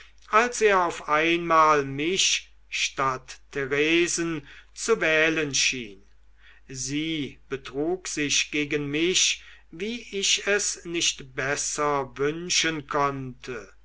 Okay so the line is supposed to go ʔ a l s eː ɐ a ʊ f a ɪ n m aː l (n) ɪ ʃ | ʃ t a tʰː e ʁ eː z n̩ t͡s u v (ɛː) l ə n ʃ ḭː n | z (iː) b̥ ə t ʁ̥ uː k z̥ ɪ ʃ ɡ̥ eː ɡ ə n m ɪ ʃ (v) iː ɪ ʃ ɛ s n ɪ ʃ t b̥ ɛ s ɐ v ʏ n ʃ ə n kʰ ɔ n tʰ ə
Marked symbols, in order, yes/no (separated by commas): no, yes, yes, yes